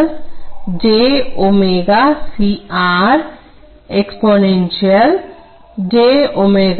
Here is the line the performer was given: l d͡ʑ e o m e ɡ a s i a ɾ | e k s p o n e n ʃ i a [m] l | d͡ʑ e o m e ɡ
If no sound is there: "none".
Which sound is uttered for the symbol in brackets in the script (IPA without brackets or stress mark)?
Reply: none